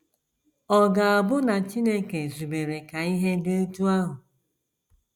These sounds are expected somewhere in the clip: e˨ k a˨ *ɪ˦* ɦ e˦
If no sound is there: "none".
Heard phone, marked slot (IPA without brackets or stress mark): i˦